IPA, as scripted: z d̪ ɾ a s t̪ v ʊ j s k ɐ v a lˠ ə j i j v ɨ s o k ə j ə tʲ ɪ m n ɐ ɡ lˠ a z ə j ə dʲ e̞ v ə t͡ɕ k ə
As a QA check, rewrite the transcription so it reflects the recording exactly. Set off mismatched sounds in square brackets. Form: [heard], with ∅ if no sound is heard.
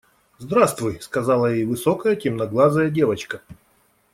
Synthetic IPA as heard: z d̪ ɾ a s t̪ v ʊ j s k ɐ [z] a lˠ ə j [e] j v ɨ s o k ə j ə tʲ ɪ m n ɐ ɡ lˠ a z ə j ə dʲ e̞ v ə t͡ɕ k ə